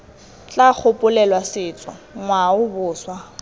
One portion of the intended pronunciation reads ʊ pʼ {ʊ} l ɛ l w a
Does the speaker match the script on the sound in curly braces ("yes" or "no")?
yes